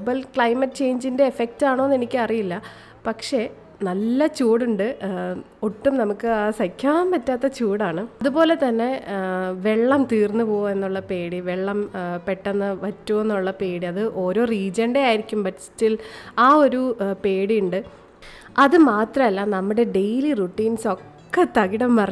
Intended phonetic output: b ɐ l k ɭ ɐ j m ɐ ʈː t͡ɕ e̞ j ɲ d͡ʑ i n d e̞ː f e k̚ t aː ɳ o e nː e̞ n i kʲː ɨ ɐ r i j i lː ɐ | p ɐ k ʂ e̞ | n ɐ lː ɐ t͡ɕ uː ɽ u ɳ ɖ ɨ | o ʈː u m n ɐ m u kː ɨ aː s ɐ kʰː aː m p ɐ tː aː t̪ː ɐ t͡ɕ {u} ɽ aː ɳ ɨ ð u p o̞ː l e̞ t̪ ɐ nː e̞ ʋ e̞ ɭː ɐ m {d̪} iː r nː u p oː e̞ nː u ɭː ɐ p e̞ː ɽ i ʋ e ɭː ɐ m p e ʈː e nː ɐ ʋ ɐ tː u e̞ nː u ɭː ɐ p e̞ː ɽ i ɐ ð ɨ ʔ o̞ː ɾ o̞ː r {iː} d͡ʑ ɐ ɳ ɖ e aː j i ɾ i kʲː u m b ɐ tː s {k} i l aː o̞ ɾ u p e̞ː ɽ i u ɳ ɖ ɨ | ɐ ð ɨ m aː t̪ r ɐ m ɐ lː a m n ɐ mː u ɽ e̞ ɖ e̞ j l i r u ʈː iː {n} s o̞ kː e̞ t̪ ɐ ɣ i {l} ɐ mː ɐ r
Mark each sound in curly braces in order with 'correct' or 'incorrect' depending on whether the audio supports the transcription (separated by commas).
incorrect, incorrect, correct, incorrect, correct, incorrect